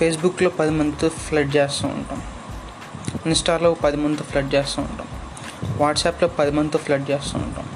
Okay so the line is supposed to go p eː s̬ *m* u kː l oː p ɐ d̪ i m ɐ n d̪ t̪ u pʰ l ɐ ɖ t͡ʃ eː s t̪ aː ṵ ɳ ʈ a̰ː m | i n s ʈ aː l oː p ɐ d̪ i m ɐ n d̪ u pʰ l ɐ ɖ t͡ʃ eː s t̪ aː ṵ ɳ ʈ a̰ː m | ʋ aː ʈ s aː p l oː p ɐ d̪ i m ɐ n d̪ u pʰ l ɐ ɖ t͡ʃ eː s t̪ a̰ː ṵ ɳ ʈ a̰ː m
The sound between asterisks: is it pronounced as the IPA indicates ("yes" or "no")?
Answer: no